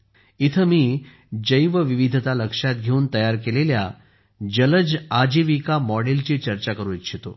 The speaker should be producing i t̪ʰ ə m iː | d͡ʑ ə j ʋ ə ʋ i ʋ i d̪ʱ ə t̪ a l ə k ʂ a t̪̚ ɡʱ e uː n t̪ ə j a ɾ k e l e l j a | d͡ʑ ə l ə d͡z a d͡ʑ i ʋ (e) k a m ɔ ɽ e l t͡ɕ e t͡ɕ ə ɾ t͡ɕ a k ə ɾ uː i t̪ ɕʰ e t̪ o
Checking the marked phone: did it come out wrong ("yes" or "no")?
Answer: yes